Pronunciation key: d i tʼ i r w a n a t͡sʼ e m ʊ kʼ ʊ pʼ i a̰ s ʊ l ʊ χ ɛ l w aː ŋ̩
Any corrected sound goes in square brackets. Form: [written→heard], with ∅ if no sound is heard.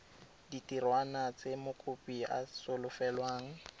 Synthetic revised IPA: d i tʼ i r w a n a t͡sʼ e m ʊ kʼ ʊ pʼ i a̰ s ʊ l ʊ [χ→f] ɛ l w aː ŋ̩